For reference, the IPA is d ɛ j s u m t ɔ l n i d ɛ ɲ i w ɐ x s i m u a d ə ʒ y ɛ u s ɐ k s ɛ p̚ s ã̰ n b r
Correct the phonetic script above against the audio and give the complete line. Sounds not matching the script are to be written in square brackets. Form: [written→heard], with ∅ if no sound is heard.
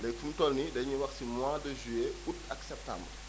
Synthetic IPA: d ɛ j [s→f] u m t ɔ l n i d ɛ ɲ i w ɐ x s i m [u→w] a d ə ʒ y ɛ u [s→t] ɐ k s ɛ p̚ [s→t] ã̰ [n→m] b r